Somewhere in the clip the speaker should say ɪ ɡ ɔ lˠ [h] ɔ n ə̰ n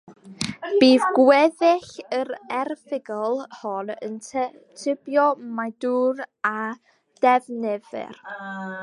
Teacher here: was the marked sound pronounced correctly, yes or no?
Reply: yes